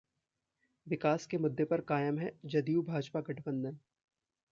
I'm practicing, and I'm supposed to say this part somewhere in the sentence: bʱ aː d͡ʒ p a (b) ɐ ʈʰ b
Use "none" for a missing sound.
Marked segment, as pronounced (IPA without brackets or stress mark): ɡ